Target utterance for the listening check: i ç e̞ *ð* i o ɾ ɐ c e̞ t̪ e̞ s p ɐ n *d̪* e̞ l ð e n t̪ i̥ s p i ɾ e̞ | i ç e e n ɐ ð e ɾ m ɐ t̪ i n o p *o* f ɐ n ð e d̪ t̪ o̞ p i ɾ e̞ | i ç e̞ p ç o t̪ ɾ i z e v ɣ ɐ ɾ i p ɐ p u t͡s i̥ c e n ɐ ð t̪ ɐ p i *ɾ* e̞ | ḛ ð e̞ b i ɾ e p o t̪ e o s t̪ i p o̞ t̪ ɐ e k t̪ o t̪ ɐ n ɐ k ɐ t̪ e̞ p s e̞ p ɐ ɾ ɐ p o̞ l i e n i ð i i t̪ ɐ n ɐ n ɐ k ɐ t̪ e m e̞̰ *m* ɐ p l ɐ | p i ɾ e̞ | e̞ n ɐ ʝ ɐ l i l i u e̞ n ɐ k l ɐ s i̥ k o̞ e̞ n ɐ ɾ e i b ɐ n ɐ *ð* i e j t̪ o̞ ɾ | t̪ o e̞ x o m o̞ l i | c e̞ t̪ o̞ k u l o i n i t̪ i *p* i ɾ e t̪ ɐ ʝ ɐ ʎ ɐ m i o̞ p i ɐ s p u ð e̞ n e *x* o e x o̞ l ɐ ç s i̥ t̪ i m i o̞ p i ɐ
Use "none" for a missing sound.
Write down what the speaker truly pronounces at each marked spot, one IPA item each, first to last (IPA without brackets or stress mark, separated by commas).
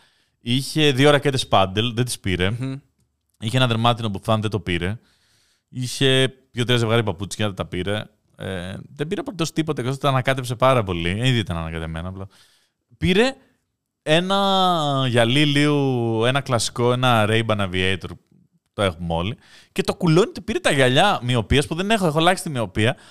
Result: ð, d̪, u, ɾ, n, v, p, x